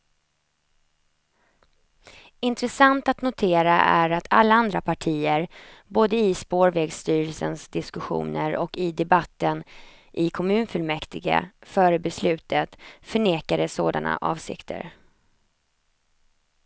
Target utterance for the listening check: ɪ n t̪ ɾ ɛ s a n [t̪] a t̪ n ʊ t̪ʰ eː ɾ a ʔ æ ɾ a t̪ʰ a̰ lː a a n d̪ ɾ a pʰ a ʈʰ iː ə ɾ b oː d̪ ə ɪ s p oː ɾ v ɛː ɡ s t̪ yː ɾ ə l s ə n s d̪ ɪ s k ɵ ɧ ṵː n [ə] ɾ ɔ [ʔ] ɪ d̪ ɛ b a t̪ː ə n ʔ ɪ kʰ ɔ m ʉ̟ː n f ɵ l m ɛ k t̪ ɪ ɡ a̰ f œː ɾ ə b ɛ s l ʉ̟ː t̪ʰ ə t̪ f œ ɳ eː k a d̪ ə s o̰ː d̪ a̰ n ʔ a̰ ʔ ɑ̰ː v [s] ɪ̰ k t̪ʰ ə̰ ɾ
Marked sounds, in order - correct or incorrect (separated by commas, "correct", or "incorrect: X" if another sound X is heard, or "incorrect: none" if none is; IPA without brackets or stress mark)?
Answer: correct, correct, incorrect: k, correct